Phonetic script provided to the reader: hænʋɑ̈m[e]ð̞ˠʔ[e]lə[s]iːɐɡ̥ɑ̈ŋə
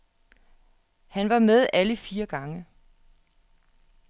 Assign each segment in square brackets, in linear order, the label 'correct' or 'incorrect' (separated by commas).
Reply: correct, incorrect, incorrect